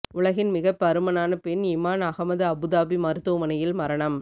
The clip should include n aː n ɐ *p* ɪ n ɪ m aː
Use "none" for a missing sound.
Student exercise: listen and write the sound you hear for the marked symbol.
p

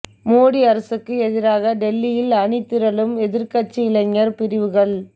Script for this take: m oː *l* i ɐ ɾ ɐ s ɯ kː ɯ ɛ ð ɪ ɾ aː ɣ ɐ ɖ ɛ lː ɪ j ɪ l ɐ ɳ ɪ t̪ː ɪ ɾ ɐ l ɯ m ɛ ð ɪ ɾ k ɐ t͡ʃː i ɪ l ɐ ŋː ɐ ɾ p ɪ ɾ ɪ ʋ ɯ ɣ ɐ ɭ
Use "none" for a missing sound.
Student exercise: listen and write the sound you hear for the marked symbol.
ɽ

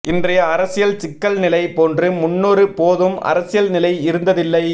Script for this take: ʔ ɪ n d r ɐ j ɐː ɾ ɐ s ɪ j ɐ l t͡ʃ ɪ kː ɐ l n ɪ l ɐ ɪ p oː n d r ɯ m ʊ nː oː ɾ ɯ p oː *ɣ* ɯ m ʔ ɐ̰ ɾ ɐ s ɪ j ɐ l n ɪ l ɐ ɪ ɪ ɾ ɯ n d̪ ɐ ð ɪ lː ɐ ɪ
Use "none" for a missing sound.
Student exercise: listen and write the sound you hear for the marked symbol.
ð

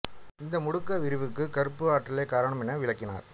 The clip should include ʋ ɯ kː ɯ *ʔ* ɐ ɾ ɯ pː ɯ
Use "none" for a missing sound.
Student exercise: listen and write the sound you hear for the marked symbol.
k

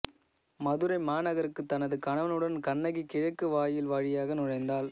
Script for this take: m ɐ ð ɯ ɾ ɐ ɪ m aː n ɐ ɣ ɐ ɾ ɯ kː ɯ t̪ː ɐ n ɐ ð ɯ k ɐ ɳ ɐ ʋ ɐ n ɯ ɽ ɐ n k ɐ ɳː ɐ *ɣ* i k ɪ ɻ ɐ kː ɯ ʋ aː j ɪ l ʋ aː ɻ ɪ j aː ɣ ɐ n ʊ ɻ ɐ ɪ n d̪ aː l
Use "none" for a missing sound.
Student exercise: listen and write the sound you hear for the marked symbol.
ɣ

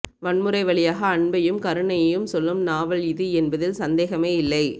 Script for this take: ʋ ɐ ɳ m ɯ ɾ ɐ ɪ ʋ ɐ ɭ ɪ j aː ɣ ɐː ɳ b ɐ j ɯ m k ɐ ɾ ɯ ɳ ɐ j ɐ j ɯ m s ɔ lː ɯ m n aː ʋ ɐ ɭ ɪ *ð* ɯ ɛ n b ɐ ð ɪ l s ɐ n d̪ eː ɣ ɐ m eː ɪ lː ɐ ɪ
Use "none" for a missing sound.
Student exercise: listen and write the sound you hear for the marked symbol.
ð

